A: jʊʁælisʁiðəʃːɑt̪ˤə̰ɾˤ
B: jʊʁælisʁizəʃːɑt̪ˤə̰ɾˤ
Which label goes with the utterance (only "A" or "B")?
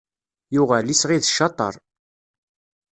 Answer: A